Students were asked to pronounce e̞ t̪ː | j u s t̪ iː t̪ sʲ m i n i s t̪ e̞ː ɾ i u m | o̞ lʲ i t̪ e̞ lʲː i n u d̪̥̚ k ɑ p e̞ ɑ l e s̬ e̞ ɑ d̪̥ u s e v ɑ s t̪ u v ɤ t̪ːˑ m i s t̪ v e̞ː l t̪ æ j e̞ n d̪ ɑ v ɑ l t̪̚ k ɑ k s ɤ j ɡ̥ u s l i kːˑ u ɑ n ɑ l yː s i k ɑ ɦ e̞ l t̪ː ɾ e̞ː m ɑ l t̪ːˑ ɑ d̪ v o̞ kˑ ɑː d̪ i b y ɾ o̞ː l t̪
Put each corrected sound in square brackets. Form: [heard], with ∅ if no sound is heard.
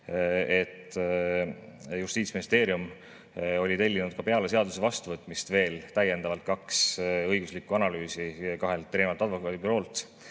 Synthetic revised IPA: e̞ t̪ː | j u s t̪ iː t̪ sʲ m i n i s t̪ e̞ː ɾ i u m | o̞ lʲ i t̪ e̞ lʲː i n u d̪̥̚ k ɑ p e̞ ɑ l e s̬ e̞ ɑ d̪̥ u s e v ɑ s t̪ u v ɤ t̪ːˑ m i s t̪ v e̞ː l t̪ æ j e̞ n d̪ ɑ v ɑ l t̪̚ k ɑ k s ɤ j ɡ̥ u s l i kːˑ u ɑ n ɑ l yː s i k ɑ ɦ e̞ l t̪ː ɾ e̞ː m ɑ l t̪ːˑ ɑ d̪ v o̞ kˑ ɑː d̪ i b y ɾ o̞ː l t̪